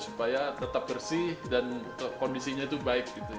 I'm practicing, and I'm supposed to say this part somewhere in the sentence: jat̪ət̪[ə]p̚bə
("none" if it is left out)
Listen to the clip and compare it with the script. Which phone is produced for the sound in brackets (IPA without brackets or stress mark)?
a